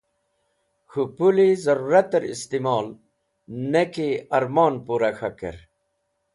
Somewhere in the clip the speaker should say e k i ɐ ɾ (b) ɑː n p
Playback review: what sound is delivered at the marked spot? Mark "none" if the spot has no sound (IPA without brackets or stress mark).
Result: m